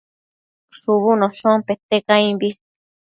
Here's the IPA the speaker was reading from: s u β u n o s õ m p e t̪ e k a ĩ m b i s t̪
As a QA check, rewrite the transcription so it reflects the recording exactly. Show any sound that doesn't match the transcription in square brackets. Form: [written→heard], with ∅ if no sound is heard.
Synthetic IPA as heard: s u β u n o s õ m p e t̪ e k a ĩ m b i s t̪